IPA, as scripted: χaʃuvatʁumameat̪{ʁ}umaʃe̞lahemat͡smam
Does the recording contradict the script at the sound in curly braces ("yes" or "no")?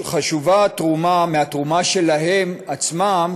no